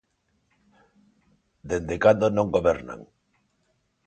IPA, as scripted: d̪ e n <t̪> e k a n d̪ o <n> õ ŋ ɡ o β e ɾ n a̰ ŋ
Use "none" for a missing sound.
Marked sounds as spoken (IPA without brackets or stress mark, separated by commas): d̪, n